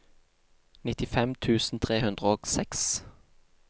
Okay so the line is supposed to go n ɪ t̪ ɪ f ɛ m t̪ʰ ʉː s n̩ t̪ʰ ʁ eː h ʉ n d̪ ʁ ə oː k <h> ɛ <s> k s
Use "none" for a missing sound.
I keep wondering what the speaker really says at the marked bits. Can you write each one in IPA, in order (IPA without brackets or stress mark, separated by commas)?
s, none